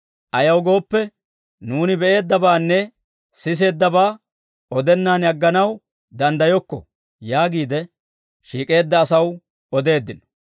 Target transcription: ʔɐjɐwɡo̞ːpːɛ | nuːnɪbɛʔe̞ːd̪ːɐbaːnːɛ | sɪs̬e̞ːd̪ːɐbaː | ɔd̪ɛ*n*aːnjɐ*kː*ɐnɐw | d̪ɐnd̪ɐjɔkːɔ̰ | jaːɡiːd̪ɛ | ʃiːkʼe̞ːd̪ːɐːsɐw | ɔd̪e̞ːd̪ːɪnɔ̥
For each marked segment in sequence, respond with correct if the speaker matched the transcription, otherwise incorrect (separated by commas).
incorrect, incorrect